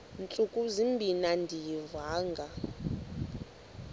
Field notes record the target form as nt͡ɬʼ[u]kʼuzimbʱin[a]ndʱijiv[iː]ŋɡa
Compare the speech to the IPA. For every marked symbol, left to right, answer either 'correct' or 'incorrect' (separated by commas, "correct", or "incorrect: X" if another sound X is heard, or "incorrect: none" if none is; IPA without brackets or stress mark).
correct, correct, incorrect: aː